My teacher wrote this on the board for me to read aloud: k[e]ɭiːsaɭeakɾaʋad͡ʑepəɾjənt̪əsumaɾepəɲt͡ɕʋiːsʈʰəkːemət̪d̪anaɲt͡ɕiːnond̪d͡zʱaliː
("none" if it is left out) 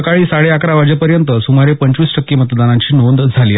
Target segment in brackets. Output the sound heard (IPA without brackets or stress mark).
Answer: a